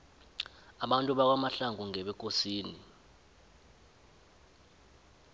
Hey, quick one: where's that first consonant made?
lips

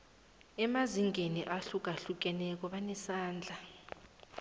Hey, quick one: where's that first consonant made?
lips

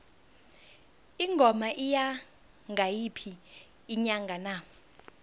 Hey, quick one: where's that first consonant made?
velum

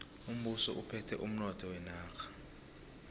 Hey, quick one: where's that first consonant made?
lips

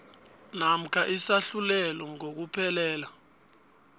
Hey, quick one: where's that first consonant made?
tongue tip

